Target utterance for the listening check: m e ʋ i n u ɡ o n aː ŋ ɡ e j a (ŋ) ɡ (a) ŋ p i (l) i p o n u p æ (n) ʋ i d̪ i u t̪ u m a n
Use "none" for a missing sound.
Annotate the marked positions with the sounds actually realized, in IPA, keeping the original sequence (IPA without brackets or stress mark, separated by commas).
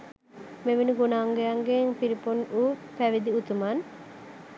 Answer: ŋ, e, ɾ, none